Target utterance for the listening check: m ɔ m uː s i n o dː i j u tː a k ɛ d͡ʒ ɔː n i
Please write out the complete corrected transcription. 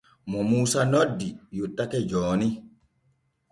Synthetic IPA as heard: m ɔ m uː s a n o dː i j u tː a k ɛ d͡ʒ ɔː n i